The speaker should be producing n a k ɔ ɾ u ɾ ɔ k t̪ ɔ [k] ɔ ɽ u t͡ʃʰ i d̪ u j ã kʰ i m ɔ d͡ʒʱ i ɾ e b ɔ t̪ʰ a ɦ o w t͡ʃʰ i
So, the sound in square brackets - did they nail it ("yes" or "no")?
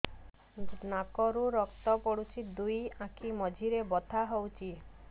no